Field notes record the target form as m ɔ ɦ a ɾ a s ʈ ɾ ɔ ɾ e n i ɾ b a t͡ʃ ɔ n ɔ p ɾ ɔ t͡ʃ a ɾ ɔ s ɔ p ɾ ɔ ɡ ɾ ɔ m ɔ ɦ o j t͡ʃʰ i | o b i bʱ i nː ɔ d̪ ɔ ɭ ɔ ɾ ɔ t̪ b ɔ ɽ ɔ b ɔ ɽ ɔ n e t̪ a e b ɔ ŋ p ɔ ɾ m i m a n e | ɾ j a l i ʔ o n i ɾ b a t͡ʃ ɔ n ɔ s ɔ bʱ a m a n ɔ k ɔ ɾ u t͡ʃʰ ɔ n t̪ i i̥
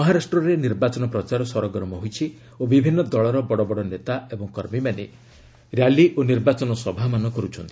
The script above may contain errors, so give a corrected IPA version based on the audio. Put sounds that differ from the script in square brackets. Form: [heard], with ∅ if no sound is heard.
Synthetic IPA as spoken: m ɔ ɦ a ɾ a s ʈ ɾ ɔ ɾ e n i ɾ b a t͡ʃ ɔ n ɔ p ɾ ɔ t͡ʃ a ɾ ɔ s ɔ [∅] ɾ ɔ ɡ ɾ ɔ m ɔ ɦ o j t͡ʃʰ i | o b i bʱ i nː ɔ d̪ ɔ ɭ ɔ ɾ ɔ [∅] b ɔ ɽ ɔ b ɔ ɽ ɔ n e t̪ a e b ɔ ŋ [k] ɔ ɾ m i m a n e | ɾ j a l i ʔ o n i ɾ b a t͡ʃ ɔ n ɔ s ɔ bʱ a m a n ɔ k ɔ ɾ u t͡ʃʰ ɔ n t̪ i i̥